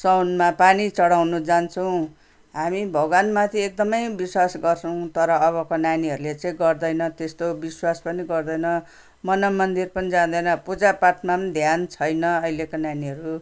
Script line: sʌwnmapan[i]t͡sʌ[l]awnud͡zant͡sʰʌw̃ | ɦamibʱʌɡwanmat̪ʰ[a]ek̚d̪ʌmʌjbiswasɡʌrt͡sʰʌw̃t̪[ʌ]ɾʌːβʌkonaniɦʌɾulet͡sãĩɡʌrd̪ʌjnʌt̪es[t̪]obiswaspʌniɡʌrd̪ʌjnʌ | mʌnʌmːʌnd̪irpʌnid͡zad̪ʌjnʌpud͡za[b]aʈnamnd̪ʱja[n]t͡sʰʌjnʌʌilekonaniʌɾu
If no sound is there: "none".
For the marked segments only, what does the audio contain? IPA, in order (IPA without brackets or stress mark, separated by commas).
i, ɽ, i, ʌ, t̪, p, n